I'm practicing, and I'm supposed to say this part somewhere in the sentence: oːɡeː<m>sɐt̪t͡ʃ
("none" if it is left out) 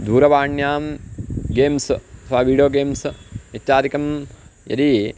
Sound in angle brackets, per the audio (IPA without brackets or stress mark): m